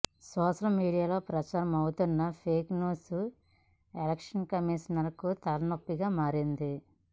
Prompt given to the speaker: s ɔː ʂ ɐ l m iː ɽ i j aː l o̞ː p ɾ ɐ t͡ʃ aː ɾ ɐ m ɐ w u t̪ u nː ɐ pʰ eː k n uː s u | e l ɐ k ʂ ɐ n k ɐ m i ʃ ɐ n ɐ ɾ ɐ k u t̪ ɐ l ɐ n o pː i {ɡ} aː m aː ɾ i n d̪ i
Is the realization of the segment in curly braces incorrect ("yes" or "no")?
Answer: no